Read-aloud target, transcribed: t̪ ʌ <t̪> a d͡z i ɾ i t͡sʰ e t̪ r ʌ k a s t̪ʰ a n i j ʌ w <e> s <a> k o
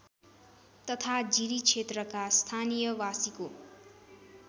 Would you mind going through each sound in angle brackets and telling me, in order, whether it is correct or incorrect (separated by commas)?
incorrect, incorrect, incorrect